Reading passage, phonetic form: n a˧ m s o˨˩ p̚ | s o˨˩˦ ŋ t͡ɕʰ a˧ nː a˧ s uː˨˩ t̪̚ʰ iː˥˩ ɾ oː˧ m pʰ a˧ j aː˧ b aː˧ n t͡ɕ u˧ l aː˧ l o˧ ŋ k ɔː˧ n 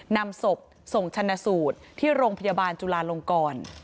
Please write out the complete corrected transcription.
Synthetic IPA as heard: n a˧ m s o˨˩ p̚ | s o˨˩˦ ŋ t͡ɕʰ a˧ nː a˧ s uː˨˩ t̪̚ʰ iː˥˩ ɾ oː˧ ŋ pʰ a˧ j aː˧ b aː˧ n t͡ɕ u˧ l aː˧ l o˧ ŋ k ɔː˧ n